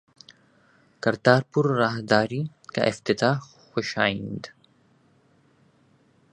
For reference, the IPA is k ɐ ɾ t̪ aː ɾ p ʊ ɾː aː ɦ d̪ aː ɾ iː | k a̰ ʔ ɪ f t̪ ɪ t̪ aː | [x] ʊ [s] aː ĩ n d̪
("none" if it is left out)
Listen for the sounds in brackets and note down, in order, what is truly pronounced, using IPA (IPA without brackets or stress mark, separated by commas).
x, ʃ